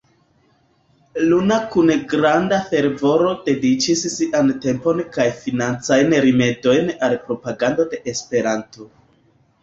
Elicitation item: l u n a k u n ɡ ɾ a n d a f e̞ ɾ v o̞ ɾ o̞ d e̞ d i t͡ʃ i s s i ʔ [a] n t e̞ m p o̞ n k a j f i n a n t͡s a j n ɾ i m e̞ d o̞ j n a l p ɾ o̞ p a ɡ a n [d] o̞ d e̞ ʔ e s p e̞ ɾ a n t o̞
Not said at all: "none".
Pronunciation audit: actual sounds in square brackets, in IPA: a, d

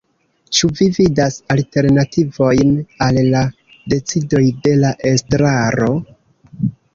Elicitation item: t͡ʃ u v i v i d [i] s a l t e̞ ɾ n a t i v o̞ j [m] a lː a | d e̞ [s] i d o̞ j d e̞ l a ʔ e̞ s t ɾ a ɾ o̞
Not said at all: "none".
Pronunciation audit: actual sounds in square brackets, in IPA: a, n, t͡s

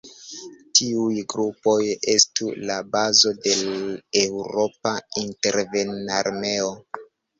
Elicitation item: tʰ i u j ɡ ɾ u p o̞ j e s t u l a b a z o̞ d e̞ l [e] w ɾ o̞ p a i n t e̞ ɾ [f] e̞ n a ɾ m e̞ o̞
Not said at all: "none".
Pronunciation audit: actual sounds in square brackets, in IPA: e, v

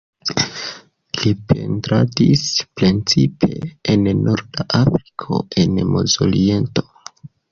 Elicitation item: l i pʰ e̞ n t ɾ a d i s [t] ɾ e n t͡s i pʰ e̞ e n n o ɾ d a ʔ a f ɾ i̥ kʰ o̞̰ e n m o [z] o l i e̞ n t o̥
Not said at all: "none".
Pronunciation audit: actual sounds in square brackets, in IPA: p, z

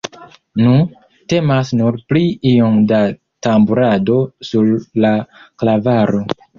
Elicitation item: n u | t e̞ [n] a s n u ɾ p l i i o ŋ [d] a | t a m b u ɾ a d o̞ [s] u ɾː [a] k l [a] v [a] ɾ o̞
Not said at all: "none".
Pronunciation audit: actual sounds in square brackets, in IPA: m, d, s, a, a, a

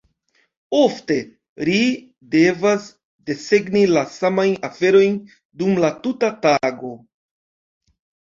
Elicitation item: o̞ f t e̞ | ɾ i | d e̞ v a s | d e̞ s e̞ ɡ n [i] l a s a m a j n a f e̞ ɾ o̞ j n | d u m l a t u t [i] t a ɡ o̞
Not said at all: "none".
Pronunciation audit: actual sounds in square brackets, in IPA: i, a

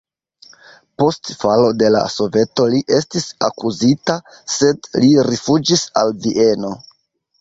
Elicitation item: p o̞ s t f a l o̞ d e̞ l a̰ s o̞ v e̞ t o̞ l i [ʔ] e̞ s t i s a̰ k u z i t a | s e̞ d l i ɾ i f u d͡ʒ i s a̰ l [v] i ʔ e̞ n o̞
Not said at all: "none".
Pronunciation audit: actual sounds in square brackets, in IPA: ʔ, v

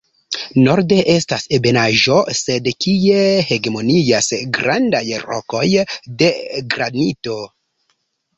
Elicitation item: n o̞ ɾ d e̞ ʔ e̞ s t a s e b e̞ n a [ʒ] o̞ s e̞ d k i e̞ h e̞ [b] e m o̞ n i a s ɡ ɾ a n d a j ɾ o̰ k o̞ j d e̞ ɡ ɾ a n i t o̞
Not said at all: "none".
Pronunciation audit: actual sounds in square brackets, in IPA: ʒ, ɡ

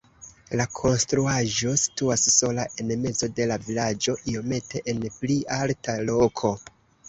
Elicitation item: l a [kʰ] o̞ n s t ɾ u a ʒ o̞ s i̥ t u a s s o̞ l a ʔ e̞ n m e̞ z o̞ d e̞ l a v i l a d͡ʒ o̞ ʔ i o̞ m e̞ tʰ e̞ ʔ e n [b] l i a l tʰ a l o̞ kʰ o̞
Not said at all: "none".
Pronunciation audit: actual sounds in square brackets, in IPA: kʰ, p

